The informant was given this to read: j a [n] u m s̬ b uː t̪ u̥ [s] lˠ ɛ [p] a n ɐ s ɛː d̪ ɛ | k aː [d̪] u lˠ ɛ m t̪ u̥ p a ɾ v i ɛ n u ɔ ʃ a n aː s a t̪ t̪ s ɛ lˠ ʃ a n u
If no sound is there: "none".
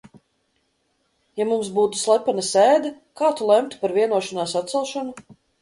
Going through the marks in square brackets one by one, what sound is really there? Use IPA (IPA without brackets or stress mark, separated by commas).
m, s, p, t̪